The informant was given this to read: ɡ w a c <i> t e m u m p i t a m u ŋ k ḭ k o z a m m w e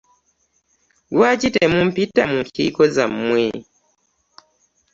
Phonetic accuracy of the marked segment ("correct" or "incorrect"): correct